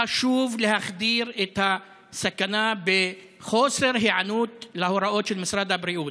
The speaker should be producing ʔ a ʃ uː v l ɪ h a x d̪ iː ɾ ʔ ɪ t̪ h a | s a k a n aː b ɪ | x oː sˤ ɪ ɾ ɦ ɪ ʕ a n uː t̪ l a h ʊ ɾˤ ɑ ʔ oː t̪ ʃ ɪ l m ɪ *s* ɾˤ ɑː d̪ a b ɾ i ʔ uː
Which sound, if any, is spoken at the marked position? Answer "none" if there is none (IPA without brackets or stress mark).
s